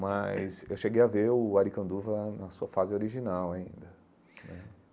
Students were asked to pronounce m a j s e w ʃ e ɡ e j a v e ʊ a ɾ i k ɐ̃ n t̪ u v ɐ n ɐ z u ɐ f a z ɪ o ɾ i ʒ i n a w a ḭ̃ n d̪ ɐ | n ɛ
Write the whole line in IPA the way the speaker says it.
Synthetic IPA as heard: m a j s e w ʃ e ɡ e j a v e ʊ a ɾ i k ɐ̃ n d̪ u v ɐ n ɐ s u ɐ f a z ɪ o ɾ i ʒ i n a w a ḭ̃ n d̪ ɐ | n ɛ